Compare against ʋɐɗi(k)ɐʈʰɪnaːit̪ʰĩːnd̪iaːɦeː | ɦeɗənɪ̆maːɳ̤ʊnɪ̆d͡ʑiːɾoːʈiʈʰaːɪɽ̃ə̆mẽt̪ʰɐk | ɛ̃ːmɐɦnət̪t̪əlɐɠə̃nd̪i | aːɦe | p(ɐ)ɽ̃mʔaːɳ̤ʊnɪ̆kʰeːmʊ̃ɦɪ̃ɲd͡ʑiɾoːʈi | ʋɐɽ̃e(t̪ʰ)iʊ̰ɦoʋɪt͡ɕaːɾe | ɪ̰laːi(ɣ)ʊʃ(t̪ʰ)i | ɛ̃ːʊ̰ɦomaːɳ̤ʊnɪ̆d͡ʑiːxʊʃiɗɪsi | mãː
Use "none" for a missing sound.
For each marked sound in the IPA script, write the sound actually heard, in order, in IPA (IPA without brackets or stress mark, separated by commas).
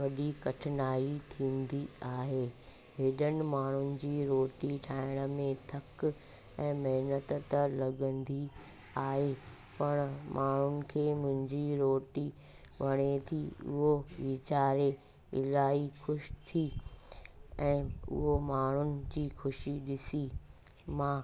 k, ɐ, t̪ʰ, x, t̪ʰ